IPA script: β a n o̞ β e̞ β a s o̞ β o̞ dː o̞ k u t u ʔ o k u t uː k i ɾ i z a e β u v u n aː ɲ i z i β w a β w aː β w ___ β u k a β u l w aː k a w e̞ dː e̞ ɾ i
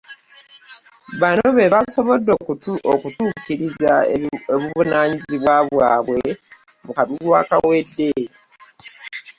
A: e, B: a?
A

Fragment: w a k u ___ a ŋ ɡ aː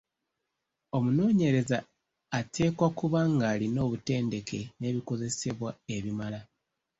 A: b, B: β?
B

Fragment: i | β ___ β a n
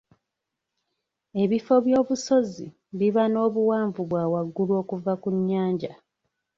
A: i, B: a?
A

